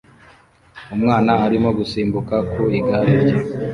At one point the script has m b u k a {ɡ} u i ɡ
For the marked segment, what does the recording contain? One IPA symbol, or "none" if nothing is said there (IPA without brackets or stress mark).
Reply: k